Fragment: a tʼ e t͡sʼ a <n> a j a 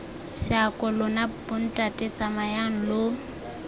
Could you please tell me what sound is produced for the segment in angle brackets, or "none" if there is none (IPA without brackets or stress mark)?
m